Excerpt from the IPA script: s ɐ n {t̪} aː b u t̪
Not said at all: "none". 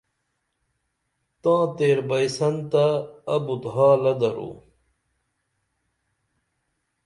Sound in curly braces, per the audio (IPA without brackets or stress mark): t̪